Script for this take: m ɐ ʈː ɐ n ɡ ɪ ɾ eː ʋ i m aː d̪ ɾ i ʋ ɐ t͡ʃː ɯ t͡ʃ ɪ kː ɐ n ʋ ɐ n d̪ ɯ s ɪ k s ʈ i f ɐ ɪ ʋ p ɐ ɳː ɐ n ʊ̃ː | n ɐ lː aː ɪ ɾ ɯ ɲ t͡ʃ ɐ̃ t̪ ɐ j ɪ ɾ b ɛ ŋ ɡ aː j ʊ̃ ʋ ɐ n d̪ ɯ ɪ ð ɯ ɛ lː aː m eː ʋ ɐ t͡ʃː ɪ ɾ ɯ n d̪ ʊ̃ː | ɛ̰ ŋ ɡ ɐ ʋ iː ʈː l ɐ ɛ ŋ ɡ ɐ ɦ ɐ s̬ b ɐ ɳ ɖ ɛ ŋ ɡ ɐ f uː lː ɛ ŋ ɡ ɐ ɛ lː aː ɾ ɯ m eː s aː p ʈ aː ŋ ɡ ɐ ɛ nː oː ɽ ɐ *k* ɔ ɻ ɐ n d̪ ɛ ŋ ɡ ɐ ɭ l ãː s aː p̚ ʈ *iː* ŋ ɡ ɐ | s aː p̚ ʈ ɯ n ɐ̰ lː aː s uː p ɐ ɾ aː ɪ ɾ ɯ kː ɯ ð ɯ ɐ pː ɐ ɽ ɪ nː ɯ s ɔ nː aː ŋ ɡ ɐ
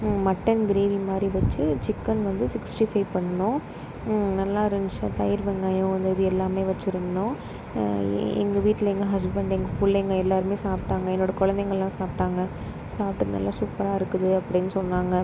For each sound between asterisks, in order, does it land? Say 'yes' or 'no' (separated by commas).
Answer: yes, no